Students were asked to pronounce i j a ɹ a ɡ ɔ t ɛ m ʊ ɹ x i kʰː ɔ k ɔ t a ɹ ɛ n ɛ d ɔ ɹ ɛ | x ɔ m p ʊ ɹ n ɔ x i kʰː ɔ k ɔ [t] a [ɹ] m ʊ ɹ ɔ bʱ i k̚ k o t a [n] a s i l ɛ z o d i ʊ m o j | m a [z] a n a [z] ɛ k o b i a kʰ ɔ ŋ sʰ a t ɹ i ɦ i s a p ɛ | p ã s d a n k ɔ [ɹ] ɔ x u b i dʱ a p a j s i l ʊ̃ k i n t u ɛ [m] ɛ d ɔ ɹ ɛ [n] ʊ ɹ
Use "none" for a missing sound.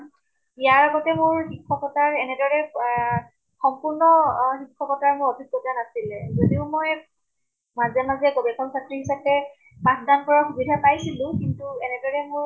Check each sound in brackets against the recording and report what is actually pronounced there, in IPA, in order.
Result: t, ɹ, n, z, z, ɹ, n, m

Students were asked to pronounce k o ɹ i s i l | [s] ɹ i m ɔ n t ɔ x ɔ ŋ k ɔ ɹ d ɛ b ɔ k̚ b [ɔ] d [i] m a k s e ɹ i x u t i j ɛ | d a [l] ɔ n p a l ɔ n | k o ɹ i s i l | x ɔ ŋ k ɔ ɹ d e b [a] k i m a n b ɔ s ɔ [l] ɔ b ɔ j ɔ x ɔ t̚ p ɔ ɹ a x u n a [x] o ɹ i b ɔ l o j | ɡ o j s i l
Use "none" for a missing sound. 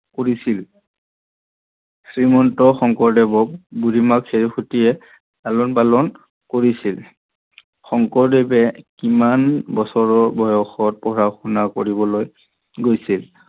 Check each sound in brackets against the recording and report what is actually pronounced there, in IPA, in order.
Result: s, u, i, l, ɛ, ɹ, k

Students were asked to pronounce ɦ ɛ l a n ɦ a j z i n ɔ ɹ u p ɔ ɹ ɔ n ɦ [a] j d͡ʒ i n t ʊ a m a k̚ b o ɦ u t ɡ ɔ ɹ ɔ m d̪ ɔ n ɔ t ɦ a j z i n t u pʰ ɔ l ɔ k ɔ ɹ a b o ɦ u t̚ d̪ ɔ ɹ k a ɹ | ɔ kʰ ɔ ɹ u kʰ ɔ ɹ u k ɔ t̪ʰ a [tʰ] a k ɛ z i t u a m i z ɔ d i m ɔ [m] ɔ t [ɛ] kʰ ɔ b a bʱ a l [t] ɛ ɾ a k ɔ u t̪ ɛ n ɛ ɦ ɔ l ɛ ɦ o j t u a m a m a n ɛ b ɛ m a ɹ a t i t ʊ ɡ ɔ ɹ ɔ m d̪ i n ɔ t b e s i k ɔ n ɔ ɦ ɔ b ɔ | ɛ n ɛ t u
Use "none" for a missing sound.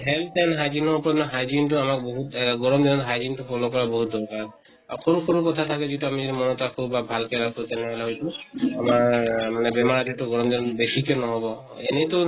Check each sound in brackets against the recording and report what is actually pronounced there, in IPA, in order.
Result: a, tʰ, n, a, k

